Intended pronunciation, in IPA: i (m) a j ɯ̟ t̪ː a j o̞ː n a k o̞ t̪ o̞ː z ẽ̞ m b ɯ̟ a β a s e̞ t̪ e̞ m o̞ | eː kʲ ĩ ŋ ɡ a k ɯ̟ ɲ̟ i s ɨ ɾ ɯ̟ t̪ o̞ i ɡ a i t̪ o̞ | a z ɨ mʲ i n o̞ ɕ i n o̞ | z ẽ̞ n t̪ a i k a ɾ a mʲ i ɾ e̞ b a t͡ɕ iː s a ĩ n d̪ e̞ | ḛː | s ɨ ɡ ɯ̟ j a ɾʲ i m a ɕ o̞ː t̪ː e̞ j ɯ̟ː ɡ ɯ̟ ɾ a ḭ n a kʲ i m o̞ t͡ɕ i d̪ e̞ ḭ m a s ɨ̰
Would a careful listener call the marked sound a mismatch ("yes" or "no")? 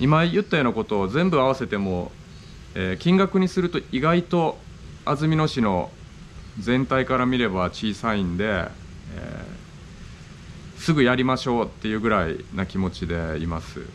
no